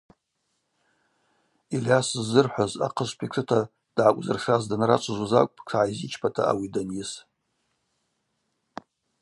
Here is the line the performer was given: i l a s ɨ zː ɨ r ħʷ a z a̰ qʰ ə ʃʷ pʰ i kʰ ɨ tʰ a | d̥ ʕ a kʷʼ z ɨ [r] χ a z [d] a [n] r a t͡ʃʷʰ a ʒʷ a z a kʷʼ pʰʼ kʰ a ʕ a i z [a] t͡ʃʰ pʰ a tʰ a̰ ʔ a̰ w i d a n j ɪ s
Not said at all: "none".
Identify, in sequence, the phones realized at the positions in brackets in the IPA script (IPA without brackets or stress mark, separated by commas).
r, d, n, i